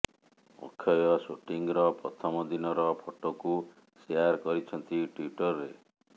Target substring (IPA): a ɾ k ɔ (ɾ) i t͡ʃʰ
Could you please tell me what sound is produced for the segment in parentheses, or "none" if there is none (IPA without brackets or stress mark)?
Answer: ɾ